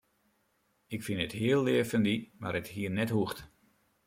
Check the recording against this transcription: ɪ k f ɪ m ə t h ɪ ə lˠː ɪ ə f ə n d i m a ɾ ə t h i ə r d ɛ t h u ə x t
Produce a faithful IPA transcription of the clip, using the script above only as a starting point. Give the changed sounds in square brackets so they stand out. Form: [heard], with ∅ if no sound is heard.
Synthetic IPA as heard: ɪ k f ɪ [n] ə t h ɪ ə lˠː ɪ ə f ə n d i m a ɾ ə t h i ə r [n] ɛ t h u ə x t